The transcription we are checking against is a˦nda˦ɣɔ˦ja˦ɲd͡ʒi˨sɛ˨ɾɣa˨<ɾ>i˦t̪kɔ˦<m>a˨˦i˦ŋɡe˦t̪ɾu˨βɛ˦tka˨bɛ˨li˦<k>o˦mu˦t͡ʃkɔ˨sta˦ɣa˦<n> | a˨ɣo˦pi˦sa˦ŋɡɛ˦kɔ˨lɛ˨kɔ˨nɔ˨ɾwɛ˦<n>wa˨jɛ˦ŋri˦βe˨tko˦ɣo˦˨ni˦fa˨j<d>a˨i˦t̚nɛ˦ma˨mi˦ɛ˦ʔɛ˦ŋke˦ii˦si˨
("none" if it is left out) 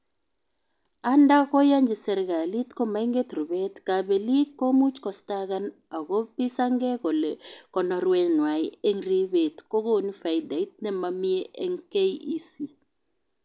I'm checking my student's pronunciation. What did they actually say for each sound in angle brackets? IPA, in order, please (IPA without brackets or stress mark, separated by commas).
l, m, k, n, n, d